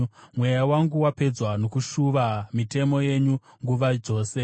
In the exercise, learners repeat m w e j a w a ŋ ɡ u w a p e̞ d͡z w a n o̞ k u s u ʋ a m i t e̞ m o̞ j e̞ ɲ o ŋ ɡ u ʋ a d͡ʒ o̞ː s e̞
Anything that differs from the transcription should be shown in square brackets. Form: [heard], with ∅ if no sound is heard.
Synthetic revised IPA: m w e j a w a ŋ ɡ u w a p e̞ d͡z w a n o̞ k u [ʃ] u ʋ a m i t e̞ m o̞ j e̞ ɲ [u] ŋ ɡ u ʋ a d͡ʒ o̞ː s e̞